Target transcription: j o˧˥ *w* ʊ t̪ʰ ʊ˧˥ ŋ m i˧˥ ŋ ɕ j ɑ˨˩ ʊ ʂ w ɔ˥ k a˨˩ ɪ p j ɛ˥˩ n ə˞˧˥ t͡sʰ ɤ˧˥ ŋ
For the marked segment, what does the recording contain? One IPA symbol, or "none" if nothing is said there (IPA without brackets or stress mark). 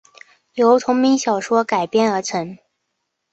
none